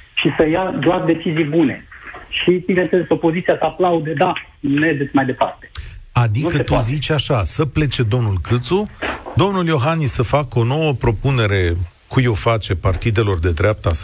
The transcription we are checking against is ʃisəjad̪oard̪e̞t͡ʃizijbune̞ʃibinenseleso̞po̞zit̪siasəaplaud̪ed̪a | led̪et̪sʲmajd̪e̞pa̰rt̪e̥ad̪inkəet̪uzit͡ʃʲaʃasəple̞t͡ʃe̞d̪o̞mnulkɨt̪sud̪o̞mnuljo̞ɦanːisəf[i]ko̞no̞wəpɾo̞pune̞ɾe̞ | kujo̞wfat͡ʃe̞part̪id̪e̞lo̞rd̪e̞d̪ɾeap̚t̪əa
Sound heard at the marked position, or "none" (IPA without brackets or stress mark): a